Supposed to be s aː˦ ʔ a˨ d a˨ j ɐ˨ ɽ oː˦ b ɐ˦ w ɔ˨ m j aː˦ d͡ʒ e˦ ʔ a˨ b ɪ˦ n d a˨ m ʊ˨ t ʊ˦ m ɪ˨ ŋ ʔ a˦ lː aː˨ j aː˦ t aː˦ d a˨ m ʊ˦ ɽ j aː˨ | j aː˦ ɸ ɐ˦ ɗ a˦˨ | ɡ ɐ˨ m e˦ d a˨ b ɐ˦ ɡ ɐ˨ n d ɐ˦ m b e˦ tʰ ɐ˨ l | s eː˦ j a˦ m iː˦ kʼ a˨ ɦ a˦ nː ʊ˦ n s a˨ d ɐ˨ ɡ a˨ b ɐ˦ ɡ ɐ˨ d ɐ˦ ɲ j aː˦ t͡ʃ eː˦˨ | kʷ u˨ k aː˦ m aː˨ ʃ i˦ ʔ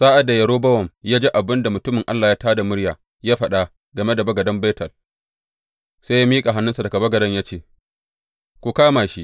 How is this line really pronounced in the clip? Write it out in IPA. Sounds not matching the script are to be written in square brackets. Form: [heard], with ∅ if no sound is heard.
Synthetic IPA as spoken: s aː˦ ʔ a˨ d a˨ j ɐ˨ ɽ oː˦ b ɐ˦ w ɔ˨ m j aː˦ d͡ʒ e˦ ʔ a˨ b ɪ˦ n d a˨ m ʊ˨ t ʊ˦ m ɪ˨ ŋ ʔ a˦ lː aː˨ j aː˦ t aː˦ d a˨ m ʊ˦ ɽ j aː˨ | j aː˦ ɸ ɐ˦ ɗ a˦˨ | ɡ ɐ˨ m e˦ d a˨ b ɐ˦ ɡ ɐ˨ [∅] d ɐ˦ m b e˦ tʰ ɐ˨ l | s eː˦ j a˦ m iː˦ kʼ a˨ ɦ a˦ nː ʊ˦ n s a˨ d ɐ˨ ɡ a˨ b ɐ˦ ɡ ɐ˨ d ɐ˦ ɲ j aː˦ t͡ʃ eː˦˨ | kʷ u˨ k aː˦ m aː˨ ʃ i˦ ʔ